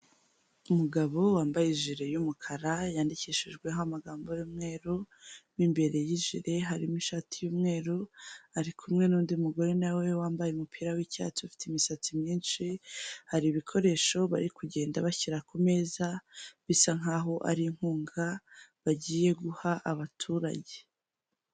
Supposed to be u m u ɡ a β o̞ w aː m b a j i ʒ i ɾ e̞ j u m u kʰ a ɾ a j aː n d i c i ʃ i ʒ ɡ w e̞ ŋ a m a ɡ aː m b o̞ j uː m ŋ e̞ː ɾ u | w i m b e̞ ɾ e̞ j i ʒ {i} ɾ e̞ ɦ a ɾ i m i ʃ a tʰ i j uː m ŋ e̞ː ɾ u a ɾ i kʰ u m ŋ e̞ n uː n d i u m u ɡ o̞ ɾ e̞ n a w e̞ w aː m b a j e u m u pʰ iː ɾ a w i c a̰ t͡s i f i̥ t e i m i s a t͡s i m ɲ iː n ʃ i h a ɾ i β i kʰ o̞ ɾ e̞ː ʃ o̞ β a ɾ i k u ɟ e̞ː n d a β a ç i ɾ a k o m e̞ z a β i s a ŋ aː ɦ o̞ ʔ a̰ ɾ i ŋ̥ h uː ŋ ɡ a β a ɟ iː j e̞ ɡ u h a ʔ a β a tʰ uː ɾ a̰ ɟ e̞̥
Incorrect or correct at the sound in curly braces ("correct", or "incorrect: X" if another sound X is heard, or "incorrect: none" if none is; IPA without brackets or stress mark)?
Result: correct